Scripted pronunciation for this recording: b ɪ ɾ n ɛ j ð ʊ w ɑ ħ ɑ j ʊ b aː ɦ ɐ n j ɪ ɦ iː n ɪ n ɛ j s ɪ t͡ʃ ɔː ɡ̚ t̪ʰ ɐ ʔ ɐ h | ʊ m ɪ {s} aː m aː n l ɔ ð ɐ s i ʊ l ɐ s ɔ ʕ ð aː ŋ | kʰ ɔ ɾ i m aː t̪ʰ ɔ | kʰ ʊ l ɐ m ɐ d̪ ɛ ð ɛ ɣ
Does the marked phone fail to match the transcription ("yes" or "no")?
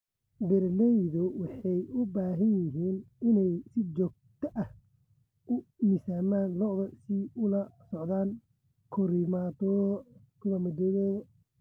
no